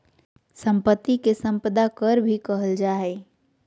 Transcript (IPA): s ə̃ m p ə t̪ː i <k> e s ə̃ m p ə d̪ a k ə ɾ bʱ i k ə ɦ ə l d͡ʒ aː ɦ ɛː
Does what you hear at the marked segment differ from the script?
no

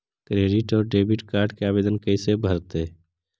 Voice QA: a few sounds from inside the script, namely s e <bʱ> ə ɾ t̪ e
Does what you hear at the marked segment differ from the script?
no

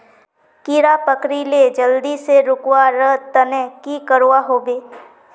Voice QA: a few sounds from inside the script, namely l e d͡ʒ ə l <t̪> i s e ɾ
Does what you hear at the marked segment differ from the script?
yes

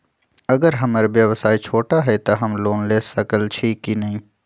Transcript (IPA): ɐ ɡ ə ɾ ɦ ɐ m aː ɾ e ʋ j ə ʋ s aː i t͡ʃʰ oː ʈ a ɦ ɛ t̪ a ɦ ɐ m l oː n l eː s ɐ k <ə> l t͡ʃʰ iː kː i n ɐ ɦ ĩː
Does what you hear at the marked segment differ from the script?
no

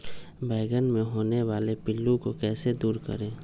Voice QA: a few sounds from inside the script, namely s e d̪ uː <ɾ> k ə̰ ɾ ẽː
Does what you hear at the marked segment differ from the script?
no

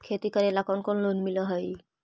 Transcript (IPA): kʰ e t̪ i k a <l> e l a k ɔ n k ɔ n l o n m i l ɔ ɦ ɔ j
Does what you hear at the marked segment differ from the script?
yes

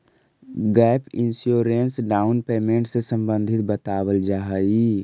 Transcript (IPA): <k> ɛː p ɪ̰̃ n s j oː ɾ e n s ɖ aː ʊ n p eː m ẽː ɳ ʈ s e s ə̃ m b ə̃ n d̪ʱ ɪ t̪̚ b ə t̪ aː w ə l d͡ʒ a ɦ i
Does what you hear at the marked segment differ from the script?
yes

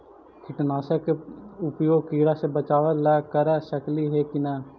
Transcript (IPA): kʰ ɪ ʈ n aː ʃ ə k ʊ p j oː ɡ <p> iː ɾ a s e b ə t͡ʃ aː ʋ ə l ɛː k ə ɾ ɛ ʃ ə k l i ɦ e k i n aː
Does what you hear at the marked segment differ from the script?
yes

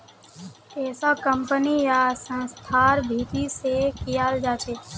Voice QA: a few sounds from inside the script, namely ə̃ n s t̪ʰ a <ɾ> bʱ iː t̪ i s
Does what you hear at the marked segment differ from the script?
no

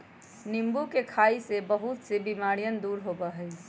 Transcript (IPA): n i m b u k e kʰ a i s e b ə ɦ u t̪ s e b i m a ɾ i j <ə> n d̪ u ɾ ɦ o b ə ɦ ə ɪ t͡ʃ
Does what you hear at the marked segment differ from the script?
no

